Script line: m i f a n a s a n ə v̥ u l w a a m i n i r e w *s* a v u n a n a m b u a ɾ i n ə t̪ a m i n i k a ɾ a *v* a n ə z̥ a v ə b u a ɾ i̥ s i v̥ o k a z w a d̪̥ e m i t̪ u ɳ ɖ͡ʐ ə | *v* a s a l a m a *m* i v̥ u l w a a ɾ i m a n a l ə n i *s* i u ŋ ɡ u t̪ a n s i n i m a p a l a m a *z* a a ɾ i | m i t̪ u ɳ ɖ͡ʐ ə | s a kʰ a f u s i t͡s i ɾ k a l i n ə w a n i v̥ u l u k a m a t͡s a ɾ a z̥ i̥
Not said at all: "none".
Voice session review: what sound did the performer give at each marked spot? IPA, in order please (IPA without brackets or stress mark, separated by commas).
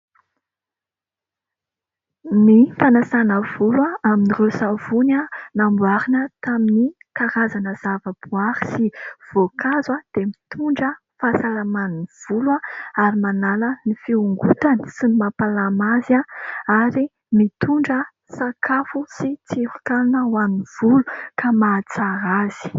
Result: s, z, f, n, f, z